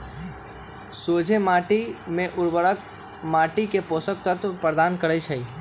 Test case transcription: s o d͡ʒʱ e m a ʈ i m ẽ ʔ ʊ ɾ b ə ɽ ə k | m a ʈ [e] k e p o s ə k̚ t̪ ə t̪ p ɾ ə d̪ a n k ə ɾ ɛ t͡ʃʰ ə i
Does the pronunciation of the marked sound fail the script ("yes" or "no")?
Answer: yes